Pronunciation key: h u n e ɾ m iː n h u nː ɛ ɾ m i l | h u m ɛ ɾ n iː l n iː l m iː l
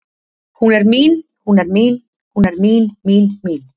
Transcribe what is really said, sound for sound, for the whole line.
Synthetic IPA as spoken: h u n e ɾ m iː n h u n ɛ ɾ m i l | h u n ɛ ɾ m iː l m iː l m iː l